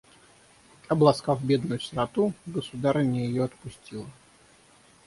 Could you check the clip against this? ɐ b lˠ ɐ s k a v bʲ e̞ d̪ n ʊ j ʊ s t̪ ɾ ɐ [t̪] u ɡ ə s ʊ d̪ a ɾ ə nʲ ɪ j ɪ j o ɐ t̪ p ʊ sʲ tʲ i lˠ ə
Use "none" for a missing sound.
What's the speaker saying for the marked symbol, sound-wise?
t̪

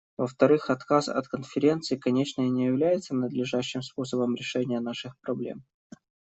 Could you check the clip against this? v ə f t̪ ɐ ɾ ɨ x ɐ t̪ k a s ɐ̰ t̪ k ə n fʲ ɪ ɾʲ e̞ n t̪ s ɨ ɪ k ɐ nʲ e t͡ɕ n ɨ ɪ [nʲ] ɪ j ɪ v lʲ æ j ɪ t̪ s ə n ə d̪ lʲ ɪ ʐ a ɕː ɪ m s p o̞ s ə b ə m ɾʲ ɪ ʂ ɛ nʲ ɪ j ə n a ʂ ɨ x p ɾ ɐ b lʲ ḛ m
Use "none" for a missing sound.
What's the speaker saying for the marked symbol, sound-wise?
nʲ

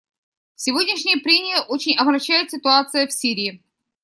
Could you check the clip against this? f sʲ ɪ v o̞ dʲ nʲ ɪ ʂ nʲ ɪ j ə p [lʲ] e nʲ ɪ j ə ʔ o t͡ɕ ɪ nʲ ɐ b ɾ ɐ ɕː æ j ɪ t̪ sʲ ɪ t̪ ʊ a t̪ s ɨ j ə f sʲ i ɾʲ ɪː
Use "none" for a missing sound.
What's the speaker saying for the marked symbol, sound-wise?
ɾʲ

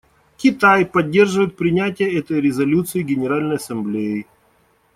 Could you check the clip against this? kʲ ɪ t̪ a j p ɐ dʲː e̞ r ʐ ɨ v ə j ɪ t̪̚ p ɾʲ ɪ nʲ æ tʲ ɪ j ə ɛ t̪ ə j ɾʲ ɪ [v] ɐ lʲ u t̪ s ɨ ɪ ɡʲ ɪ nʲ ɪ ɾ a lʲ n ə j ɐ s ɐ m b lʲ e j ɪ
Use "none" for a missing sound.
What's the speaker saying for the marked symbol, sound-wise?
z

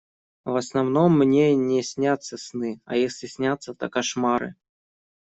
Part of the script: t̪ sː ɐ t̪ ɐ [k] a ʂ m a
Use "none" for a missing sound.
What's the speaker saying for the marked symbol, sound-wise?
k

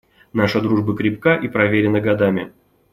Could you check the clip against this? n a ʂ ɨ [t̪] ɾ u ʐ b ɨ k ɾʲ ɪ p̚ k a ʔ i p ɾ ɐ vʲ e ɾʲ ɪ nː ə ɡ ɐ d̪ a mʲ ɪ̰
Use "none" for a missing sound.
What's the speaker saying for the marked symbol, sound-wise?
d̪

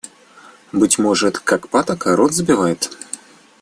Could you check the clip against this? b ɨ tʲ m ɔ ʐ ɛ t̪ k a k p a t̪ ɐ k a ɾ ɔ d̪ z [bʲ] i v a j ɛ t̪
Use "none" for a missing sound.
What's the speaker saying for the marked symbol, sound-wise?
bʲ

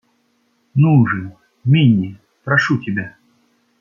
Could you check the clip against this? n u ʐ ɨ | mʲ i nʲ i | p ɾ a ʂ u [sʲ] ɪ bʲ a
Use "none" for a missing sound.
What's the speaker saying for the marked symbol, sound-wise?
tʲ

